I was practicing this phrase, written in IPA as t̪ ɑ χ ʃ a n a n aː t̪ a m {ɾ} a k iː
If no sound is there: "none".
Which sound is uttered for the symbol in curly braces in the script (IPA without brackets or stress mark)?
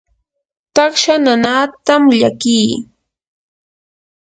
ʎ